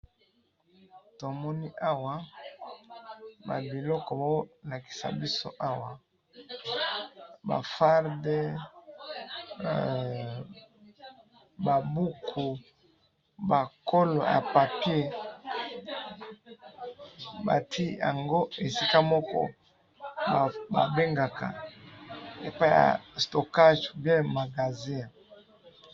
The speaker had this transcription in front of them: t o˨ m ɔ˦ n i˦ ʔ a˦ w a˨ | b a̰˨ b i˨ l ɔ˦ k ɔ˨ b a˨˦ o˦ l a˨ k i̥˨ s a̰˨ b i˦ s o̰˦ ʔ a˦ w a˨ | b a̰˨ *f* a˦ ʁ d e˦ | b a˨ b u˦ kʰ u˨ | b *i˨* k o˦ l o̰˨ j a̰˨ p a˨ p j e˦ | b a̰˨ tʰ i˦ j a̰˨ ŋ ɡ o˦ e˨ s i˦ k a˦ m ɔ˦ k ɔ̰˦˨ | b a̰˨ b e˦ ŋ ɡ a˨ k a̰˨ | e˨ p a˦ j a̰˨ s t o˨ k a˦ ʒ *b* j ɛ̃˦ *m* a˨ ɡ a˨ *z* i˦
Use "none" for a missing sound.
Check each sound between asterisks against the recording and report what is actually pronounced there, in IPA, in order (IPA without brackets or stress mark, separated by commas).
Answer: f, a˨, b, m, z